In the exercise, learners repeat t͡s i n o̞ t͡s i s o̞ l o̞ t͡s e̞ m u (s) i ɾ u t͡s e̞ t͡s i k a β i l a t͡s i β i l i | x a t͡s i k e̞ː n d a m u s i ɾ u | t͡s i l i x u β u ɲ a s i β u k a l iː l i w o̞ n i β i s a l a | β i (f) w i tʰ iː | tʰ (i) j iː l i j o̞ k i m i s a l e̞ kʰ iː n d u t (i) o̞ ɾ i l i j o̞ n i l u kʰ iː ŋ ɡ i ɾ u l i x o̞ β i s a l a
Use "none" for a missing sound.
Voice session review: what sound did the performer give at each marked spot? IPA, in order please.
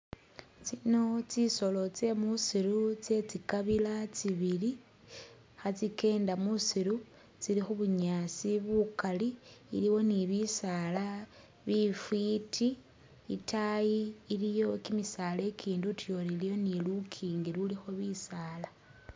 s, f, a, j

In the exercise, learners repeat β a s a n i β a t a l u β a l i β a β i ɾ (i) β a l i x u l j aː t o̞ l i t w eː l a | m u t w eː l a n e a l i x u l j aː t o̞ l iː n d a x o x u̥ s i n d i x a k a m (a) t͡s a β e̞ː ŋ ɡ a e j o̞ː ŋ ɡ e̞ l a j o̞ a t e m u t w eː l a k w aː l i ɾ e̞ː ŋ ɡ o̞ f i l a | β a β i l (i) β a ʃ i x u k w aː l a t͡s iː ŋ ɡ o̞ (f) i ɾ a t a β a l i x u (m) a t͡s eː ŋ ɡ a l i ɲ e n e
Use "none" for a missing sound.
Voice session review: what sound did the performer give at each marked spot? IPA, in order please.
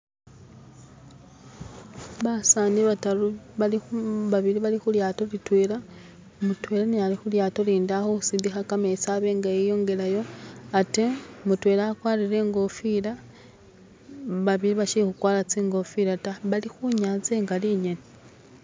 i, e, i, f, ɲ

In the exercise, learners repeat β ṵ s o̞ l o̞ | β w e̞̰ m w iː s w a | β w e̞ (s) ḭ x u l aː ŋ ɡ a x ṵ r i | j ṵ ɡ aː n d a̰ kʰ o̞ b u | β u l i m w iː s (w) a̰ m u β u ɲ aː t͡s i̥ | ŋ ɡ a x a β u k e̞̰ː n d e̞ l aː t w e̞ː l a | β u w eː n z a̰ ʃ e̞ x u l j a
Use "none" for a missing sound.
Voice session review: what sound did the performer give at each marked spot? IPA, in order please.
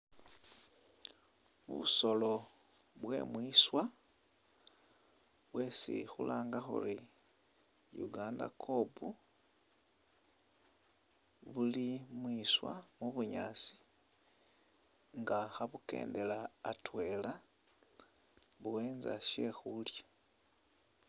s, w

